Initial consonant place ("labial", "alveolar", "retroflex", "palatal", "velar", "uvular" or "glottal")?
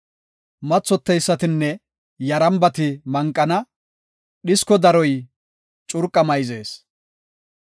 labial